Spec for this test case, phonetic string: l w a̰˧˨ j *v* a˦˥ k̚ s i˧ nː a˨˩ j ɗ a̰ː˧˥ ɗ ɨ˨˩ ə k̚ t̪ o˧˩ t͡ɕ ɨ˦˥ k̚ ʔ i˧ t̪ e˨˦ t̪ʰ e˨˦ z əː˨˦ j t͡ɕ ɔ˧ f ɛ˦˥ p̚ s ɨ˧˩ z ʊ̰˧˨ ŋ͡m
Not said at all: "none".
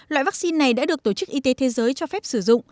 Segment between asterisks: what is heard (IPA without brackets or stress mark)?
v